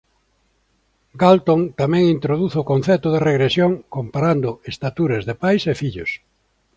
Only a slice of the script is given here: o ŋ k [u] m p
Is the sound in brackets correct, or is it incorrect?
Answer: incorrect